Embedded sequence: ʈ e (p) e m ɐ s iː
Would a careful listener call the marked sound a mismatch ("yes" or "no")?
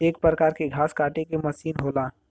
yes